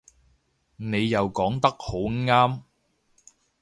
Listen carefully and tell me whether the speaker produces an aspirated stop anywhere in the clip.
no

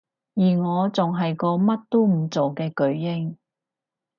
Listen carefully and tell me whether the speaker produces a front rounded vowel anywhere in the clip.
no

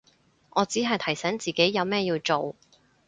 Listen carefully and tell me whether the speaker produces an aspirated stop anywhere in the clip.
yes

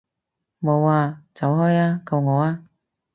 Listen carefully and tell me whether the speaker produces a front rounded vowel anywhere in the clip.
no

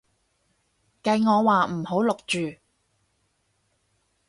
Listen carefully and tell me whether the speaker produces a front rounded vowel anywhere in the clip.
yes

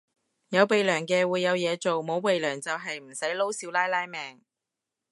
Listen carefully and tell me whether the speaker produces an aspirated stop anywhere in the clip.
no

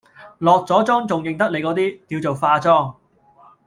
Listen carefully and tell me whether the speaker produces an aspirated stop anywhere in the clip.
no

